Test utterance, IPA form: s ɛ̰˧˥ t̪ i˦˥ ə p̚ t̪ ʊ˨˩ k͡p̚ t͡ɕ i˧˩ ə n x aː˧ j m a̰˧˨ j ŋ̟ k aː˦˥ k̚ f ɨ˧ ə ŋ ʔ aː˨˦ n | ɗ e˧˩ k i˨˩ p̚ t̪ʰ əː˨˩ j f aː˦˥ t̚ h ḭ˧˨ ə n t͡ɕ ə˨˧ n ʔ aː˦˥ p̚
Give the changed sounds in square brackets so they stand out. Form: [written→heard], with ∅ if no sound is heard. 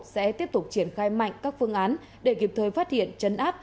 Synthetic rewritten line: s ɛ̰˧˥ t̪ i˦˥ ə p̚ t̪ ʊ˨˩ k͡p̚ t͡ɕ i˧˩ ə n x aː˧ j m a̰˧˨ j ŋ̟ k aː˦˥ k̚ f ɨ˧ ə ŋ ʔ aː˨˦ n | ɗ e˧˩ k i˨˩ p̚ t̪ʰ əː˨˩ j f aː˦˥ t̚ h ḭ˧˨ ə n t͡ɕ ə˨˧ n ʔ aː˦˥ p̚